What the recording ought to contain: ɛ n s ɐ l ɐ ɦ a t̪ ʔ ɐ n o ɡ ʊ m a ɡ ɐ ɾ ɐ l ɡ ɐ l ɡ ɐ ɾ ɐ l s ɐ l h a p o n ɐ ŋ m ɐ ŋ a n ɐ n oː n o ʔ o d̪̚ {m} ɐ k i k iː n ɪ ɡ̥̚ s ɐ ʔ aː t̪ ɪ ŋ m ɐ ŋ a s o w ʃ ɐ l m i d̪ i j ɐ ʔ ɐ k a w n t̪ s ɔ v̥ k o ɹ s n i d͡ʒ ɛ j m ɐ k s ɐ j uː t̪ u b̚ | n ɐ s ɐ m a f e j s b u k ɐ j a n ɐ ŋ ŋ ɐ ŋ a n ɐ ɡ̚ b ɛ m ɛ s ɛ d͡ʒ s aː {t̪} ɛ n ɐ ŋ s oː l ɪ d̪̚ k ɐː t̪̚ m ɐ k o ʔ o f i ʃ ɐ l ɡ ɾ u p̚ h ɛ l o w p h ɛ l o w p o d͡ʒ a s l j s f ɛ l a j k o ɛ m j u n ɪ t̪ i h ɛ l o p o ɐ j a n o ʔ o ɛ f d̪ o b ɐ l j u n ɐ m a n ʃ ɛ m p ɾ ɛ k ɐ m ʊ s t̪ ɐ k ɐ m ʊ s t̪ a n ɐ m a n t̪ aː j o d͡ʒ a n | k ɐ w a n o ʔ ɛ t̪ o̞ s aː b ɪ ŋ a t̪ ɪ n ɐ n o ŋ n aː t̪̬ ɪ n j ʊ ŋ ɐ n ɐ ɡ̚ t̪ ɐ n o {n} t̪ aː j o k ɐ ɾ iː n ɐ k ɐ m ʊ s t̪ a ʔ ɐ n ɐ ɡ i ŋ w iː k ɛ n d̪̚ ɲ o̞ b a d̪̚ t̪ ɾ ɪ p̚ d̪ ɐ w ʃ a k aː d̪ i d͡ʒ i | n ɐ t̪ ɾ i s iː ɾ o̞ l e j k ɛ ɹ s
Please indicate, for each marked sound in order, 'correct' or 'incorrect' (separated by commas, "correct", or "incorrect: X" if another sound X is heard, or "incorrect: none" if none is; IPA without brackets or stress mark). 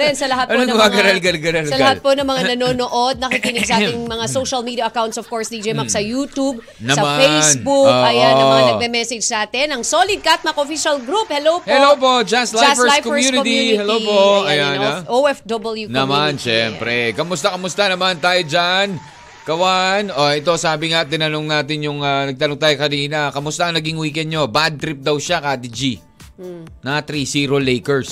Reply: incorrect: n, correct, incorrect: ŋ